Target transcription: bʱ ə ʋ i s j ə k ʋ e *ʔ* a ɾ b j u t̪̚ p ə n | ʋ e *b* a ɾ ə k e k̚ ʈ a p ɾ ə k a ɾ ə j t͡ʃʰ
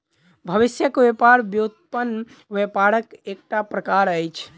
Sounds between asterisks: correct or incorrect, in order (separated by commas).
incorrect, incorrect